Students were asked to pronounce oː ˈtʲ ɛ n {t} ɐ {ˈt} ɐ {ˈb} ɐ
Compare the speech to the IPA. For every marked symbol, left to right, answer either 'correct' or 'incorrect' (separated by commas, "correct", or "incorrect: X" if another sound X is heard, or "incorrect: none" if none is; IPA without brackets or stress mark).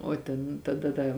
correct, incorrect: d, incorrect: d